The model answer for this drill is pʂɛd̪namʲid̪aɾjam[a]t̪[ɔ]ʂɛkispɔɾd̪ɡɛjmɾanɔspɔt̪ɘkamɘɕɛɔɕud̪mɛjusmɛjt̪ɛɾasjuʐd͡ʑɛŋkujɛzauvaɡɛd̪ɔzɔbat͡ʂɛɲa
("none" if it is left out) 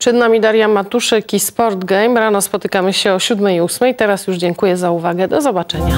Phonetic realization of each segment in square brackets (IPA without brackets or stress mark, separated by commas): a, u